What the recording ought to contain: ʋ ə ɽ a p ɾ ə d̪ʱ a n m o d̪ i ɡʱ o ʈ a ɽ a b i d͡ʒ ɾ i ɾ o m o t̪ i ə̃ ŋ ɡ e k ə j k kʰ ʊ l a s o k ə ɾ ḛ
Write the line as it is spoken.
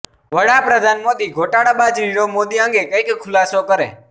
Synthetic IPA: ʋ ə ɽ a p ɾ ə d̪ʱ a n m o d̪ i ɡʱ o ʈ a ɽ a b a d͡ʒ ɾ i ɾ o m o d̪ i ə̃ ŋ ɡ e k ə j k kʰ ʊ l a s o k ə ɾ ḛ